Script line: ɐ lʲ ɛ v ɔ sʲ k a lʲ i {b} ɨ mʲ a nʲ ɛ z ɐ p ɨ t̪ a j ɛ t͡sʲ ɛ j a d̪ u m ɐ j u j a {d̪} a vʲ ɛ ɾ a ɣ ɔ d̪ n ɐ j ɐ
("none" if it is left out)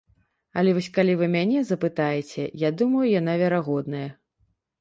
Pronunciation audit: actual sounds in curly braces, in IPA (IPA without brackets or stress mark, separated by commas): v, n̪